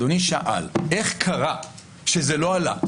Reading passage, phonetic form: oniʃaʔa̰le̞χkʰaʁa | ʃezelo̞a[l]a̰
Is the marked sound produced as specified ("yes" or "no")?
yes